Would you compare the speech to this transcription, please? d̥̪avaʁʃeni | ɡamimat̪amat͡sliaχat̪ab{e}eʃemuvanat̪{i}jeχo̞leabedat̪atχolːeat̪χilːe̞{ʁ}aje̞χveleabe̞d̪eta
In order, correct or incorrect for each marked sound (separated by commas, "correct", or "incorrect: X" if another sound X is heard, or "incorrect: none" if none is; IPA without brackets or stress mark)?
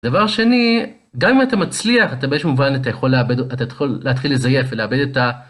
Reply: correct, incorrect: a, incorrect: z